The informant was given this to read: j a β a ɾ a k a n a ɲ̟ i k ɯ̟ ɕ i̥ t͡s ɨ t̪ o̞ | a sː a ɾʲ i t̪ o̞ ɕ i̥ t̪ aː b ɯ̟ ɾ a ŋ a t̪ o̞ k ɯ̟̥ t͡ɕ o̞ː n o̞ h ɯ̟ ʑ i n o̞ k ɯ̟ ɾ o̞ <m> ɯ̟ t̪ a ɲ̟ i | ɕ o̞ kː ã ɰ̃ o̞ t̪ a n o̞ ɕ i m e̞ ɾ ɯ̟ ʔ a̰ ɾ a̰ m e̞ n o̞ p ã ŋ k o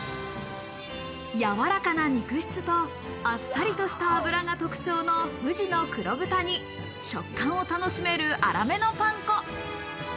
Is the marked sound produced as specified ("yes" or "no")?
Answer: no